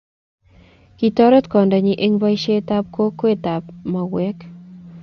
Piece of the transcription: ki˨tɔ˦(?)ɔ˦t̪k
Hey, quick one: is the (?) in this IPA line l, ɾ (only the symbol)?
ɾ